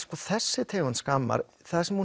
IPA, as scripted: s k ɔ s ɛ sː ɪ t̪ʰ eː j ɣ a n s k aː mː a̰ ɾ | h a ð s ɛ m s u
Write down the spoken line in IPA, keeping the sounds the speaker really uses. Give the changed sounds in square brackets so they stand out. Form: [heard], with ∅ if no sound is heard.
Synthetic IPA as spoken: s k ɔ [θ] ɛ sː ɪ t̪ʰ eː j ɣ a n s k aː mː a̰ ɾ | [θ] a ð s ɛ m [h] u